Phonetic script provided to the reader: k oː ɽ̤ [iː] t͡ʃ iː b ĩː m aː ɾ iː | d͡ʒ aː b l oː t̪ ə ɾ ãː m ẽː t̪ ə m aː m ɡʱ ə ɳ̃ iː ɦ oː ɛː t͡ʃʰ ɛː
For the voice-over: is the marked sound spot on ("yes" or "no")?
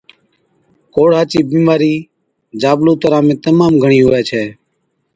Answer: no